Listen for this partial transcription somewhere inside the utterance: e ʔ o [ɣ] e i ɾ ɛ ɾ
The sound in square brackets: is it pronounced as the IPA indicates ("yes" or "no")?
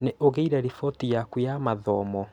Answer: yes